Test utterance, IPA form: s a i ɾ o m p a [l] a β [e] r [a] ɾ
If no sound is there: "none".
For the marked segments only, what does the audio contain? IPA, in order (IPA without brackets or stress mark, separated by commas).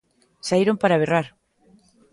ɾ, e, a